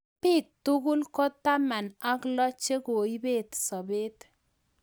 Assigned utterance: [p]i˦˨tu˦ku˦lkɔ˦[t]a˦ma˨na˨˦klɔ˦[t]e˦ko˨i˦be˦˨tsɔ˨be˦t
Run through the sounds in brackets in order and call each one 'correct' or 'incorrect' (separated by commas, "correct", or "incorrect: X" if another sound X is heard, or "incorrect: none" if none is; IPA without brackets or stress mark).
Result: correct, correct, incorrect: t͡ʃ